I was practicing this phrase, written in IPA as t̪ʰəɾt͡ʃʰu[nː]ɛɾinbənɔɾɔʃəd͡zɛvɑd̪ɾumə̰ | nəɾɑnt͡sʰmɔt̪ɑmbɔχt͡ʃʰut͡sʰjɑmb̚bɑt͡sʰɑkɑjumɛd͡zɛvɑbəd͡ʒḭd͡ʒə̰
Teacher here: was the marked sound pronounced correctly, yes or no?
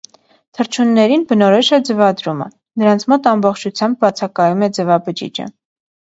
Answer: yes